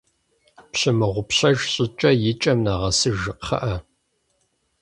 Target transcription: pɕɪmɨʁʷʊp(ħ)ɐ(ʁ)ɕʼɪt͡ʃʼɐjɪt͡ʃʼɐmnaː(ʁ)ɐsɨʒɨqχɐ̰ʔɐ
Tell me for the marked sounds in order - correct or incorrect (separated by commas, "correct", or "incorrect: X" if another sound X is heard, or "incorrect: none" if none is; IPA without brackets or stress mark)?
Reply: incorrect: ɕ, incorrect: ʒ, correct